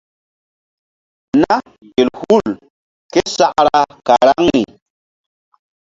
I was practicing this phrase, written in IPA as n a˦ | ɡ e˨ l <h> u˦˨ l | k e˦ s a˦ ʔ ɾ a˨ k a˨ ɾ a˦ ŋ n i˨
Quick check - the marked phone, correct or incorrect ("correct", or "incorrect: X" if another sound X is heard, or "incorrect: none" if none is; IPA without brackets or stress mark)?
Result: correct